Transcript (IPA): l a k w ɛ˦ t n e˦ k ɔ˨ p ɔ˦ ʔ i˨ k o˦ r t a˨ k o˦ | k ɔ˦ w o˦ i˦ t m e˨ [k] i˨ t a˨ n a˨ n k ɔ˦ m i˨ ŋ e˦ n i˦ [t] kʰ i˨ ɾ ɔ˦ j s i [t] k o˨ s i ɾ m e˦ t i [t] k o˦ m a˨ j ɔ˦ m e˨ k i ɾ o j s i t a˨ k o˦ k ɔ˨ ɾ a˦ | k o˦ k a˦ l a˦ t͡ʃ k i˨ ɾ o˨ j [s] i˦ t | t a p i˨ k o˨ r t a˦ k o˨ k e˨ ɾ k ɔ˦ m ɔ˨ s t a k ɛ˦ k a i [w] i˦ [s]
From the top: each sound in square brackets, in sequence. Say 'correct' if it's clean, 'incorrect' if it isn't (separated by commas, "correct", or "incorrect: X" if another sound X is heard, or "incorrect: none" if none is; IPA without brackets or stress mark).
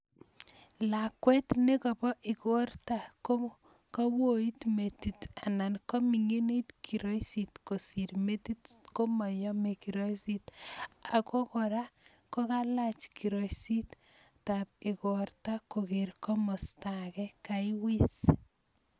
incorrect: t, correct, correct, correct, correct, correct, correct